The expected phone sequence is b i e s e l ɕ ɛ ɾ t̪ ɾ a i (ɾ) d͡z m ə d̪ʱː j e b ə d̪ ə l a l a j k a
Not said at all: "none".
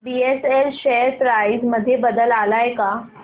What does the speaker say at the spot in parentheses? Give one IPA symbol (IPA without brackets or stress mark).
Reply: none